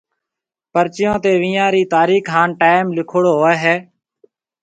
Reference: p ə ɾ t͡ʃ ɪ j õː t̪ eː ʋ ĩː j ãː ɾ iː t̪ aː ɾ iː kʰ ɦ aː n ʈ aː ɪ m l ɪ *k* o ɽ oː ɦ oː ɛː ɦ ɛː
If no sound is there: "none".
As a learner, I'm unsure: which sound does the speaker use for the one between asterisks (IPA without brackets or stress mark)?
kʰ